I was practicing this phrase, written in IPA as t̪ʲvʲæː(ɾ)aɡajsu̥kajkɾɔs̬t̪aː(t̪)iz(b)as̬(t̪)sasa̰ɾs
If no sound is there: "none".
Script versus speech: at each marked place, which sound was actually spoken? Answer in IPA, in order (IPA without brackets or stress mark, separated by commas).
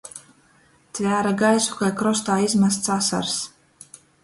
ɾ, none, m, t̪